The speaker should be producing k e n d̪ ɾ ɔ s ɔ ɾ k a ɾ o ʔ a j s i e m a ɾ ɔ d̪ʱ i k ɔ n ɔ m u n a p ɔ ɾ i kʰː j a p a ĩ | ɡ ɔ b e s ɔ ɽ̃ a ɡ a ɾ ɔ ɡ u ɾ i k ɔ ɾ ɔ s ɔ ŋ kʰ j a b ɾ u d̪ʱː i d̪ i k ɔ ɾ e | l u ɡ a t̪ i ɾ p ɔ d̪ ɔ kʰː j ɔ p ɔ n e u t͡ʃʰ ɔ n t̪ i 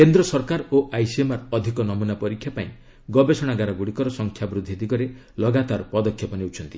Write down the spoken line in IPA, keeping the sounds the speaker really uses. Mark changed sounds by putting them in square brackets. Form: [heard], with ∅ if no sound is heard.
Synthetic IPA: k e n d̪ ɾ ɔ s ɔ ɾ k a ɾ o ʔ a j s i e m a ɾ ɔ d̪ʱ i k ɔ n ɔ m u n a p ɔ ɾ i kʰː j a p a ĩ | ɡ ɔ b e s ɔ ɽ̃ a ɡ a ɾ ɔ ɡ u [ɽ] i k ɔ ɾ ɔ s ɔ ŋ kʰ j a b ɾ u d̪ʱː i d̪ i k ɔ ɾ e | l [ɔ] ɡ a t̪ [a] ɾ p ɔ d̪ ɔ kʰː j ɔ p ɔ n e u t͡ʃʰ ɔ n t̪ i